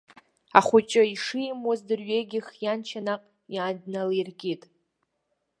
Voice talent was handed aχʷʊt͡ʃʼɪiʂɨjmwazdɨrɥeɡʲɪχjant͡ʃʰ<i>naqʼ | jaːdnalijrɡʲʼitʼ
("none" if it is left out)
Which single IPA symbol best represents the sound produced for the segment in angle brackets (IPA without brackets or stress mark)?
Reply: a